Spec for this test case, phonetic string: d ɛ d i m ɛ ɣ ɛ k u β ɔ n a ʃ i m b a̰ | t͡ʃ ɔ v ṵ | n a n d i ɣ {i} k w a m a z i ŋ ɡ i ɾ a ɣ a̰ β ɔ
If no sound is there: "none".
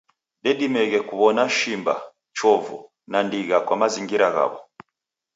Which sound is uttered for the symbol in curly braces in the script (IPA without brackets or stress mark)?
a